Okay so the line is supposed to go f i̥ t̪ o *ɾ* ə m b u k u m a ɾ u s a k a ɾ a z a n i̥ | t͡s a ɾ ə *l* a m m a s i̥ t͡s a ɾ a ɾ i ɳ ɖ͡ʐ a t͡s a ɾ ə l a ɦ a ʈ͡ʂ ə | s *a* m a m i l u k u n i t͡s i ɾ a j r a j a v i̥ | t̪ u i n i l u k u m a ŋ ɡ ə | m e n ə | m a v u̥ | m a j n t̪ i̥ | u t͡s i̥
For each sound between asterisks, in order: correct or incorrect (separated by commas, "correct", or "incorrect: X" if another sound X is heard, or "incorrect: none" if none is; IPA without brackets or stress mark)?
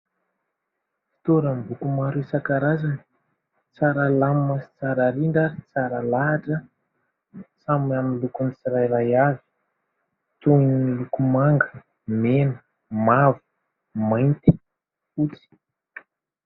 correct, correct, correct